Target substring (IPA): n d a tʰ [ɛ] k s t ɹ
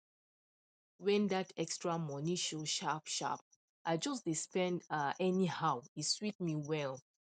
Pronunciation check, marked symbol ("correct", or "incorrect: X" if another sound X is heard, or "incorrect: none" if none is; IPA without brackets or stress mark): correct